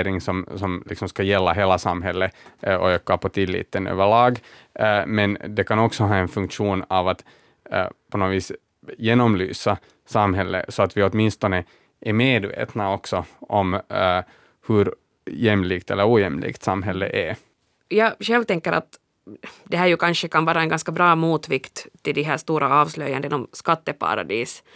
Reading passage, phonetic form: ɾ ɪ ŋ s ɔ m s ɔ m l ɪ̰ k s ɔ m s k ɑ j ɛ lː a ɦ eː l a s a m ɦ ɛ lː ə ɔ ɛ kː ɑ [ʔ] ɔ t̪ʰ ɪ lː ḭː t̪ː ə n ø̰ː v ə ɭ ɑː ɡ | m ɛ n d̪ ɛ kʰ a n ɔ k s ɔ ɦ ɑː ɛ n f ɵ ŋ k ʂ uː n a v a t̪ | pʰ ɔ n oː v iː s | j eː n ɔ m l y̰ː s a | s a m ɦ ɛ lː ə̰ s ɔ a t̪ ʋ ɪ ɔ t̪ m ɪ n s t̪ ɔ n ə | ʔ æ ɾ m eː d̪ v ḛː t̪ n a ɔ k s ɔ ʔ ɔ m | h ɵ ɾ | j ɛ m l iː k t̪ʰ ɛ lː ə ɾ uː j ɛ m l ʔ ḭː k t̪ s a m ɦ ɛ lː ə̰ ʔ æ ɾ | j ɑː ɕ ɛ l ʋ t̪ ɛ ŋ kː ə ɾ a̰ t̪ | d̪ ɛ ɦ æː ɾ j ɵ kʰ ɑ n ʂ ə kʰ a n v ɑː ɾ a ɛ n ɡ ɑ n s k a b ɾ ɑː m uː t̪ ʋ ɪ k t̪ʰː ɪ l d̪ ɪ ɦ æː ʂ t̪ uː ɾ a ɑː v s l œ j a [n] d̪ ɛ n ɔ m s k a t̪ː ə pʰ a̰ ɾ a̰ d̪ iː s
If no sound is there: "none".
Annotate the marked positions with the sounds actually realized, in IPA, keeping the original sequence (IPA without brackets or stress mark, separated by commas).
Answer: p, n